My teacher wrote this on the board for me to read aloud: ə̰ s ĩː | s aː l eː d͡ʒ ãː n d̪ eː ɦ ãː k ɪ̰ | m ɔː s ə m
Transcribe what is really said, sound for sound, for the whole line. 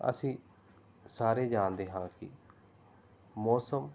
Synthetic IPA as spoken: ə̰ s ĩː | s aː ɾ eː d͡ʒ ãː n d̪ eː ɦ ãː k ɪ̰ | m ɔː s ə m